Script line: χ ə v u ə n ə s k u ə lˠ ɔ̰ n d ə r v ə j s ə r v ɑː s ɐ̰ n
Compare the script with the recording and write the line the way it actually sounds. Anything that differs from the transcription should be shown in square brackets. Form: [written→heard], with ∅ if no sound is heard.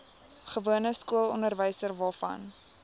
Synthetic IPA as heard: χ ə v u ə n ə s k u ə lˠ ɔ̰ n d ə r v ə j s ə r v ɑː [s→f] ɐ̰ n